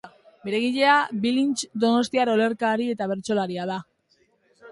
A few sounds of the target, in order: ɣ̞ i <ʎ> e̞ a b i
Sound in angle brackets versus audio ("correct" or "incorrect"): correct